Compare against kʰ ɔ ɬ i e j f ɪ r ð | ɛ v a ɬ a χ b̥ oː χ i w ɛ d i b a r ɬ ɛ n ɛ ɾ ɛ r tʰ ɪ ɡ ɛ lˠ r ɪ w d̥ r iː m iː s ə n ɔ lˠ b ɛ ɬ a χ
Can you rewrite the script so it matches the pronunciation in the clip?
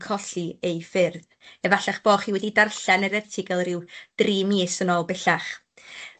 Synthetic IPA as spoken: kʰ ɔ ɬ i e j f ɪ r ð | ɛ v a ɬ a χ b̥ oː χ i w ɛ d i d a r ɬ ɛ n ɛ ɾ ɛ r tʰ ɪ ɡ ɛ lˠ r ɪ w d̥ r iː m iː s ə n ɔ lˠ b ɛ ɬ a χ